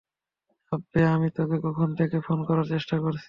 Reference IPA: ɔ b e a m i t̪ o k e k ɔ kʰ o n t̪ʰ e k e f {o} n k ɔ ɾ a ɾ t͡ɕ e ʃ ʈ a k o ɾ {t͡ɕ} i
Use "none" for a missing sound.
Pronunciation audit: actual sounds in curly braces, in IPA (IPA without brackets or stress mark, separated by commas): o, t͡ɕʰ